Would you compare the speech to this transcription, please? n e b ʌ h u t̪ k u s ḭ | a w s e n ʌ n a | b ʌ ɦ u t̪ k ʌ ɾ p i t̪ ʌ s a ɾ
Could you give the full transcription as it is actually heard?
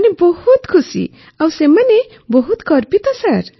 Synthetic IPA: n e b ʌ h u t̪ kʰ u s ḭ | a w s e m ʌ n e | b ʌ ɦ u t̪ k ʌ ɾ p i t̪ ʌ s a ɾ